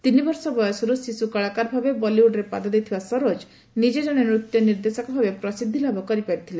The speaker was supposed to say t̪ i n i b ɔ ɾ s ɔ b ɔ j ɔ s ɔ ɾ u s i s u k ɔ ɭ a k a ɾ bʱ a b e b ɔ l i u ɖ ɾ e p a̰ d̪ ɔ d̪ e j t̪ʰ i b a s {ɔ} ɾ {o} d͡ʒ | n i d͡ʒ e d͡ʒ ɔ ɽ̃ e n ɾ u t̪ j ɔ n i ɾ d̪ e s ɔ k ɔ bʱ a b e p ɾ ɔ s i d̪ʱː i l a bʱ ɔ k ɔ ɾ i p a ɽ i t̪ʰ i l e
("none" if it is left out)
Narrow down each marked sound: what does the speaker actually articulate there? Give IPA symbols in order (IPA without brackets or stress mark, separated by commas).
ɔ, o